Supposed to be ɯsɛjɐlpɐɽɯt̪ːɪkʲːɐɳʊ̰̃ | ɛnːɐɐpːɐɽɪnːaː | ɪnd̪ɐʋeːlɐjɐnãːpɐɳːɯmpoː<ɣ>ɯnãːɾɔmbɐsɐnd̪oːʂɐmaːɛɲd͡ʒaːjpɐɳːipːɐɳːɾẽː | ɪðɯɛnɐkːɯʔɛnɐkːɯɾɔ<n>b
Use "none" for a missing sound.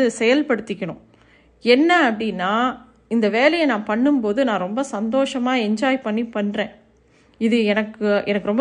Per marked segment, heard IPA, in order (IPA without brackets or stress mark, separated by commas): ð, m